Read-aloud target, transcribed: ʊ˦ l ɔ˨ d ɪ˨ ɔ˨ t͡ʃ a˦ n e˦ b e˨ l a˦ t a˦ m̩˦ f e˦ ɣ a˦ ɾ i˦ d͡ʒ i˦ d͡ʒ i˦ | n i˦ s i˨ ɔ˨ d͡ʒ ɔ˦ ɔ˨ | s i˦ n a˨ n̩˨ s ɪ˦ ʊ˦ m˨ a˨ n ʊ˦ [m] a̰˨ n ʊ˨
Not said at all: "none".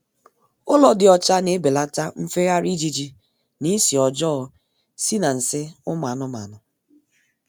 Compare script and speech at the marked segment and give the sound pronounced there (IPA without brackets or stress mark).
m